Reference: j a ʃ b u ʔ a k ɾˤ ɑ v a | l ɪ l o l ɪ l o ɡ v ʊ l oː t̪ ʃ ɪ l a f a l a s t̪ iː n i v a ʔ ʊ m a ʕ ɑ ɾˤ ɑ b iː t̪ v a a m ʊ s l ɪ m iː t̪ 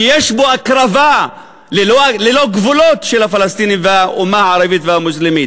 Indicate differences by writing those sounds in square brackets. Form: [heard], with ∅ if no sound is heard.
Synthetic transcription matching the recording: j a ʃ b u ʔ a k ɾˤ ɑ v a | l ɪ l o l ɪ l o ɡ v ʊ l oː t̪ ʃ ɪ l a f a l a s t̪ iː n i v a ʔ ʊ m a ʕ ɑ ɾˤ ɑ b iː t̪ v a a m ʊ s l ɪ m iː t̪